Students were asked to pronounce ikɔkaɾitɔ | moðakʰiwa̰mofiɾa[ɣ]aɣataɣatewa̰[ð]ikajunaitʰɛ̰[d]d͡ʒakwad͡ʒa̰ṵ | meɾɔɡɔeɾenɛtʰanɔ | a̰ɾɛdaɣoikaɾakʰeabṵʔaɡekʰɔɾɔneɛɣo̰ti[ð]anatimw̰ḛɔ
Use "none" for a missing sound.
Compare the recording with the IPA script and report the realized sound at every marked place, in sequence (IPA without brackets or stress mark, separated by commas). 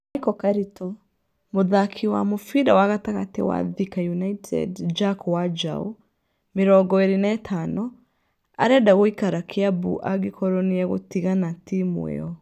w, ð, d, ɣ